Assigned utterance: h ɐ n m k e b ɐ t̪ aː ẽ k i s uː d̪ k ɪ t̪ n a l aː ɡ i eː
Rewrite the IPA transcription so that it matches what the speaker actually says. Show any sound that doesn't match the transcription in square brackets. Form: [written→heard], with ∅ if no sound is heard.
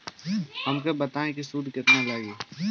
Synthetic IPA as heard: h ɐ [n→∅] m k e b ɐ t̪ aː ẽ k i s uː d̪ k ɪ t̪ n a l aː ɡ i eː